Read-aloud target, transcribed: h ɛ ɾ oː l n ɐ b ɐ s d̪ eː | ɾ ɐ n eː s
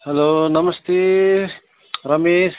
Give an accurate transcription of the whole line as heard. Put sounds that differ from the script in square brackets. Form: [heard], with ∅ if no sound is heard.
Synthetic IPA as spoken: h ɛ [l] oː [∅] n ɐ [m] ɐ s [t̪] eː | ɾ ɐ [m] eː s